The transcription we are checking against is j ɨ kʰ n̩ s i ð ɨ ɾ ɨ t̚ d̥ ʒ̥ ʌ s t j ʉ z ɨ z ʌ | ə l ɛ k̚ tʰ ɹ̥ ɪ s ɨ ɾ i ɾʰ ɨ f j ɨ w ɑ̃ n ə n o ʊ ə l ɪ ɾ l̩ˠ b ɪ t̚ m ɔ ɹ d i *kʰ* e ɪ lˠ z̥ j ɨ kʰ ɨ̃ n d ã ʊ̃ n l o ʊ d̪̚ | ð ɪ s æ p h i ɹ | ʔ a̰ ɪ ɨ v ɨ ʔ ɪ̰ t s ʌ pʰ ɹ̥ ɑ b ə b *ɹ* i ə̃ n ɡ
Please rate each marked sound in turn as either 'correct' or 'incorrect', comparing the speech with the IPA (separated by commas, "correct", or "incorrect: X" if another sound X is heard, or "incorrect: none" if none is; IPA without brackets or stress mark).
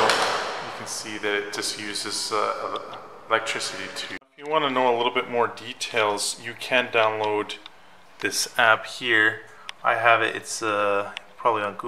incorrect: tʰ, incorrect: l